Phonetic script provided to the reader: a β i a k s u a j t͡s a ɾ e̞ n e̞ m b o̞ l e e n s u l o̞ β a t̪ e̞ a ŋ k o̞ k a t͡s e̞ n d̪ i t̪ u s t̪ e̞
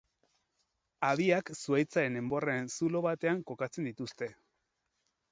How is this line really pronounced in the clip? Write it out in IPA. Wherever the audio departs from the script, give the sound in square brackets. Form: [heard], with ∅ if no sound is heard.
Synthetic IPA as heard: a β i a k s u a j t͡s a ɾ e̞ n e̞ m b o̞ [r] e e n s u l o̞ β a t̪ e̞ a ŋ k o̞ k a t͡s e̞ n d̪ i t̪ u s t̪ e̞